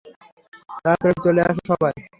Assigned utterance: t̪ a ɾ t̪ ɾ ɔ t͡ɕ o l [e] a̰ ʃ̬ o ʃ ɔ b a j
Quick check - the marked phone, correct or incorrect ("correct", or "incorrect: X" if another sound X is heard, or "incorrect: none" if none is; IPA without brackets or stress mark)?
correct